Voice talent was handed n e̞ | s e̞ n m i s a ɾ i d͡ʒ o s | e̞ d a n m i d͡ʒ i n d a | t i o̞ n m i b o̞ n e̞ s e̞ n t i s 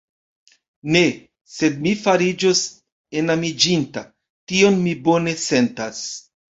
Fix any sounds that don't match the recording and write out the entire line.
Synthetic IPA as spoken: n e̞ | s e̞ d m i f a ɾ i d͡ʒ o s | e̞ n a m i d͡ʒ i n t a | t i o̞ n m i b o̞ n e̞ s e̞ n t a s